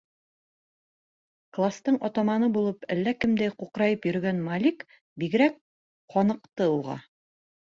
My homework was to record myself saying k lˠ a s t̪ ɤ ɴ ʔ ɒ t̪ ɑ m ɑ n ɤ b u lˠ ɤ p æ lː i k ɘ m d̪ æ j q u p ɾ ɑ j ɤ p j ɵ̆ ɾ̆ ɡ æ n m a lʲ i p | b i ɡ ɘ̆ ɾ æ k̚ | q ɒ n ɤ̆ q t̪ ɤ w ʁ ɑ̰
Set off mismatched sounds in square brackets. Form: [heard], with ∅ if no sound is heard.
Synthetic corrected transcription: k lˠ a s t̪ ɤ ɴ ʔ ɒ t̪ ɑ m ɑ n ɤ b u lˠ ɤ p æ lː [æ] k ɘ m d̪ æ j q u [q] ɾ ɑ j ɤ p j ɵ̆ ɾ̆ ɡ æ n m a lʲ i [k] | b i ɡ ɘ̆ ɾ æ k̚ | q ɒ n ɤ̆ q t̪ ɤ [u] ʁ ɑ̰